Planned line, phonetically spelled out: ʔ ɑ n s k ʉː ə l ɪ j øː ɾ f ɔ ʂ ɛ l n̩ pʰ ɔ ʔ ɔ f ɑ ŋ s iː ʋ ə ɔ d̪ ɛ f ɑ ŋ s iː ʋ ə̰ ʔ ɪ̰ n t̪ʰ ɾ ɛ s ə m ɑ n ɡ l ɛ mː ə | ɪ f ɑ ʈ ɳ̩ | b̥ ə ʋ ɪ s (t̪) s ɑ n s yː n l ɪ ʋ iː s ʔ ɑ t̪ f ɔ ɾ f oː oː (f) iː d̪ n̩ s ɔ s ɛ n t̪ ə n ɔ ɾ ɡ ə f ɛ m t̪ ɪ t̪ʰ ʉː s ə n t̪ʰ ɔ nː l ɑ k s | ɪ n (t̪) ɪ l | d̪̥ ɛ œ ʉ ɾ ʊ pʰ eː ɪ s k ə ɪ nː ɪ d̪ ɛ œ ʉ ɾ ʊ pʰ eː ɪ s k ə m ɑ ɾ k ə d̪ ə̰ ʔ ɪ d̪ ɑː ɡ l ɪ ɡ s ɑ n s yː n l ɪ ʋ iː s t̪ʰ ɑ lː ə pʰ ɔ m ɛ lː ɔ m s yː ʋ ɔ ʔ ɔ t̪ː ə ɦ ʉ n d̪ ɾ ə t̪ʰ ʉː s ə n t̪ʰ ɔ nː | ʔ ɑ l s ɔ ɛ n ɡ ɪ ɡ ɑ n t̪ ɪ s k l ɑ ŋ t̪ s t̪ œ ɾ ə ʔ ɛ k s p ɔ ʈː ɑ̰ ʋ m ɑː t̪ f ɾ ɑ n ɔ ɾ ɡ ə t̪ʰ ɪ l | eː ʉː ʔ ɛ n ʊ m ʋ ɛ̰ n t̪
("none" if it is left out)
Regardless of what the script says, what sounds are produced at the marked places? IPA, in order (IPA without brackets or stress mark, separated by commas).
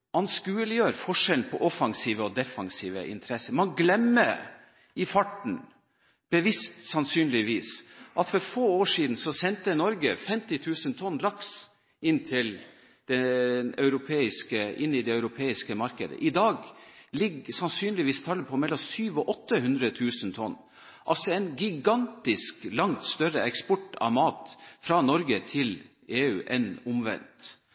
t̪, ʂ, t̪ʰ